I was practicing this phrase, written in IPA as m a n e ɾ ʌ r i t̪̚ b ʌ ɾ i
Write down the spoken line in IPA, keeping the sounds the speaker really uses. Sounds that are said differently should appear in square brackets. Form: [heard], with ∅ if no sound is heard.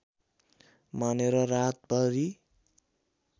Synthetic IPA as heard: m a n e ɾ ʌ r [a] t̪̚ b ʌ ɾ i